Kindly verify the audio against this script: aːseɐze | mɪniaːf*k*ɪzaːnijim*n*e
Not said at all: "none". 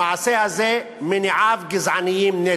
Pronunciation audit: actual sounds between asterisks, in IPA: ɡ, n

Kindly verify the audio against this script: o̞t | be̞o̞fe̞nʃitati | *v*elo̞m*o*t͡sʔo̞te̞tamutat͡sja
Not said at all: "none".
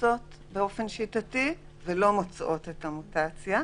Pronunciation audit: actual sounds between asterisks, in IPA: v, o

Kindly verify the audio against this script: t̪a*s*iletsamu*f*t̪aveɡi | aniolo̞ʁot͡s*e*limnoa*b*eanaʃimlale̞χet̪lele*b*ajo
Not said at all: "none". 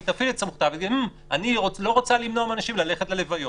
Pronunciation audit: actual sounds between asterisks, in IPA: f, χ, a, m, v

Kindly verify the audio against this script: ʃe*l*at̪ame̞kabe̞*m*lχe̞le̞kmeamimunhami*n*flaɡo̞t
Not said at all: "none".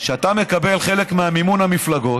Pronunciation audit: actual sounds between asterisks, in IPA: none, none, none

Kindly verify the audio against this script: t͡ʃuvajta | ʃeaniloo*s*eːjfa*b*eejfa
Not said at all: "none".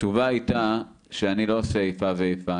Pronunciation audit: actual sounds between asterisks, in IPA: s, v

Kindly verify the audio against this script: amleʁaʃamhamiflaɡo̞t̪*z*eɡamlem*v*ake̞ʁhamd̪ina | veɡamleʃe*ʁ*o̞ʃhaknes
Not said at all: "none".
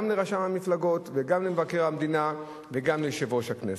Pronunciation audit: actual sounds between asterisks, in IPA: v, v, v

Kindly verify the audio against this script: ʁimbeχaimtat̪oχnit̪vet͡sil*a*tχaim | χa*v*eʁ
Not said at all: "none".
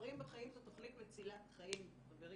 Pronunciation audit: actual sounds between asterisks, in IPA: a, b

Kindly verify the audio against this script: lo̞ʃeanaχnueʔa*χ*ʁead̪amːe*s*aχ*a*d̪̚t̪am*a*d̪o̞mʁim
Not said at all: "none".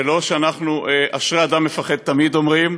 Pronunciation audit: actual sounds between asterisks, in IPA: ʃ, f, e, i

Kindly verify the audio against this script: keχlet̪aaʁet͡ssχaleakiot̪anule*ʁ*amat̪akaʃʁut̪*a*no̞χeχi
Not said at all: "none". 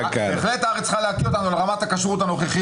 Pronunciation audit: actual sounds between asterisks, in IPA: ʁ, a

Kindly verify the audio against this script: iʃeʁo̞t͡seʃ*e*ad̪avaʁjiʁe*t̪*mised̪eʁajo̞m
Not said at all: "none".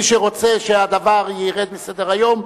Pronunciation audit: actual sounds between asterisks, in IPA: e, d̪

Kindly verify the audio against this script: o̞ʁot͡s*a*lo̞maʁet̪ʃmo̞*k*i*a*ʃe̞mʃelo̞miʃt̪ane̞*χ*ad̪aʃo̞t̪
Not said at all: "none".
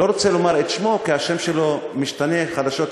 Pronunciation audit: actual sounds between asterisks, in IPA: e, k, a, χ

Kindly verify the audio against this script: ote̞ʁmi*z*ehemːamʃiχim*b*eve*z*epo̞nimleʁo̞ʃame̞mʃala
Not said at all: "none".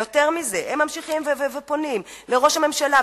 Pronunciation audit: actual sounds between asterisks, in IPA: z, v, v

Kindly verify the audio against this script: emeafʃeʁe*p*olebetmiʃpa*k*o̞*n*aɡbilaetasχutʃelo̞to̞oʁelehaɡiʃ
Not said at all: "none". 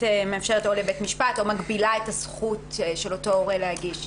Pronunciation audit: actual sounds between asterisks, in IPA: t, t, m

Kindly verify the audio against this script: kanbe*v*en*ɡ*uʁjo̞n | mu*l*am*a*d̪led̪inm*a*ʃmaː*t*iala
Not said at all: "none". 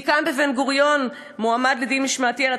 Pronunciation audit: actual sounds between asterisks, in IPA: v, ɡ, none, a, i, t

